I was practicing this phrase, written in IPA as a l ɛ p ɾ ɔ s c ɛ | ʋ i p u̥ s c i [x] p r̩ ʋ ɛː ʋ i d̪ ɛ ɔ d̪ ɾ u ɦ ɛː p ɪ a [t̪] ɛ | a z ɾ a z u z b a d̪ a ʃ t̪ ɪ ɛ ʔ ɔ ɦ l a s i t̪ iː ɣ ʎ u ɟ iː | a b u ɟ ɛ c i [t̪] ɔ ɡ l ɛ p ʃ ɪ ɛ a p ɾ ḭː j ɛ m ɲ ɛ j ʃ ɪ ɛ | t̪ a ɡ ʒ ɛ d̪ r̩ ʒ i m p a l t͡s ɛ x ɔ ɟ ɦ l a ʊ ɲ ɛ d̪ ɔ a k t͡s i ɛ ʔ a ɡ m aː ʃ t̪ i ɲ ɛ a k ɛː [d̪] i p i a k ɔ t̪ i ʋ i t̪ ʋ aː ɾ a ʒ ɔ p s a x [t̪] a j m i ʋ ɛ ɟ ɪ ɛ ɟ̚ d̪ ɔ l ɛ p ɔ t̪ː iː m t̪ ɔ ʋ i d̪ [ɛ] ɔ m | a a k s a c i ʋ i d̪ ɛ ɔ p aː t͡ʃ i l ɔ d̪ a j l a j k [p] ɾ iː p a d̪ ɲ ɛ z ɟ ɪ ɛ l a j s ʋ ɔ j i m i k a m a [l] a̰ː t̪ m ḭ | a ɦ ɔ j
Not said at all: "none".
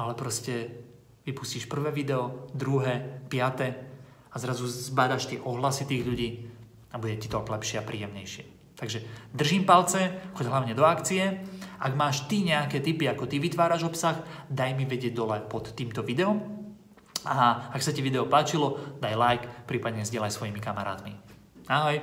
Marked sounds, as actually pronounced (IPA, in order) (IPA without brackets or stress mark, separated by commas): ʃ, t̪, t̪, t̪, d̪, ɛ, p, ɾ